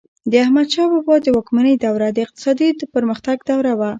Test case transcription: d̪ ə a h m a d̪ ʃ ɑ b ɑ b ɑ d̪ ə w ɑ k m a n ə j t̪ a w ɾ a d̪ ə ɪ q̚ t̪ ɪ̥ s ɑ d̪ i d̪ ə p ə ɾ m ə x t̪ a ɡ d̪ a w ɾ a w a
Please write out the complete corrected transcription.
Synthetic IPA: d̪ ə a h m a d̪ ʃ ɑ b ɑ b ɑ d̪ ə w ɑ k m a n ə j d̪ a w ɾ a d̪ ə ɪ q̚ t̪ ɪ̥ s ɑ d̪ i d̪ ə p ə ɾ m ə x t̪ a ɡ d̪ a w ɾ a w a